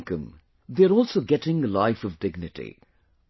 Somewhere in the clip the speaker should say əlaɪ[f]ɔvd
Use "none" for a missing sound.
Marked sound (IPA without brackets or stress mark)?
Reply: f